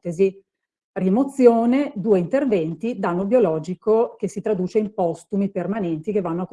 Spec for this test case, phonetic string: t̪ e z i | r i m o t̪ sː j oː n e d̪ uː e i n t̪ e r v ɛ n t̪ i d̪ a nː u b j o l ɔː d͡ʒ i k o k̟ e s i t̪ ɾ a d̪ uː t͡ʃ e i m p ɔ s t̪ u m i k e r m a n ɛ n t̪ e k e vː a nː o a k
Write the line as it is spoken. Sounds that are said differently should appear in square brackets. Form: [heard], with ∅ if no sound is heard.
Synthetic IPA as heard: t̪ e z i | r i m o t̪ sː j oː n e d̪ uː e i n t̪ e r v ɛ n t̪ i d̪ a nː [o] b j o l ɔː d͡ʒ i k o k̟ e s i t̪ ɾ a d̪ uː t͡ʃ e i m p ɔ s t̪ u m i [p] e r m a n ɛ n t̪ [i] k e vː a nː o a k